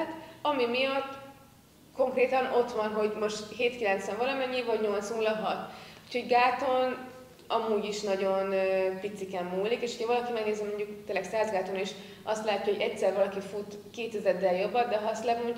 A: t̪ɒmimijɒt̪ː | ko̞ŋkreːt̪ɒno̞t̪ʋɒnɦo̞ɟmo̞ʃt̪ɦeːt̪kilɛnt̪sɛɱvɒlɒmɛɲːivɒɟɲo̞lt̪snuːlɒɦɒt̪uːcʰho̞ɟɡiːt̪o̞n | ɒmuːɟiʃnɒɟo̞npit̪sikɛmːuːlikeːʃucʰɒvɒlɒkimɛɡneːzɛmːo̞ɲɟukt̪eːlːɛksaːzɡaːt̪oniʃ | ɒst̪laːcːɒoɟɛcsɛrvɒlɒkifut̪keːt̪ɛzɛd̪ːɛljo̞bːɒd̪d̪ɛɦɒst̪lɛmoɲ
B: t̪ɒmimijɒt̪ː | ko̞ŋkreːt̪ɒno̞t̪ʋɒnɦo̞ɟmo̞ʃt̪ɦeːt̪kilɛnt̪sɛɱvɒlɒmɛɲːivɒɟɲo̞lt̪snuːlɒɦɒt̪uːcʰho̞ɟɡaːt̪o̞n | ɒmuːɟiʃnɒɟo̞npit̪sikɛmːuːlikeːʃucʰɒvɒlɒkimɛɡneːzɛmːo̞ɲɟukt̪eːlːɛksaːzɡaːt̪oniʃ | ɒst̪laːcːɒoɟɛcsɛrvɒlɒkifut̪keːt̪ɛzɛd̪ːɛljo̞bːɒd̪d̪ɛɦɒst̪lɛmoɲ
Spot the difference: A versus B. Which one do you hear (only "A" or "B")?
B